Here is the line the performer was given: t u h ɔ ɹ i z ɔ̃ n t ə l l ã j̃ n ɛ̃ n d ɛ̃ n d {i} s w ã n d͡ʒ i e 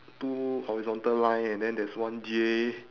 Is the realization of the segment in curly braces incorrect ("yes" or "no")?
yes